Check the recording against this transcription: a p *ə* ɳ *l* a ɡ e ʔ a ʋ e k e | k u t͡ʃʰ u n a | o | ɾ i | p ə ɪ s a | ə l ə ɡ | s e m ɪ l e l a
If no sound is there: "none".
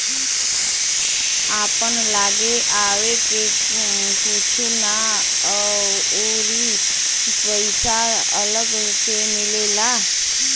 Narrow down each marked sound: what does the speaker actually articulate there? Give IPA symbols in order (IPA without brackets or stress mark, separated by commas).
ə, l